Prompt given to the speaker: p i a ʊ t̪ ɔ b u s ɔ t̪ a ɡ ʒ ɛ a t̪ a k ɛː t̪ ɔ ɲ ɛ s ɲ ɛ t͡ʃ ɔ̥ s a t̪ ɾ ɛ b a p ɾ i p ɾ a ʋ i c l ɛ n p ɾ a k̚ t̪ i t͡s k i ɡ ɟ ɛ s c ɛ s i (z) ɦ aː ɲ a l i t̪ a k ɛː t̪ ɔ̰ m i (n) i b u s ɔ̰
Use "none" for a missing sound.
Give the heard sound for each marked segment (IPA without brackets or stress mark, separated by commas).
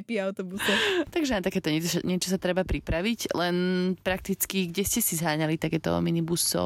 z, n